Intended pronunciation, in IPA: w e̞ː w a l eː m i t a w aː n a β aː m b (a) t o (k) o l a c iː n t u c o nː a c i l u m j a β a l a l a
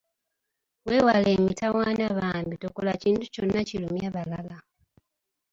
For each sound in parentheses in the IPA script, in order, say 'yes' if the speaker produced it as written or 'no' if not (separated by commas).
no, yes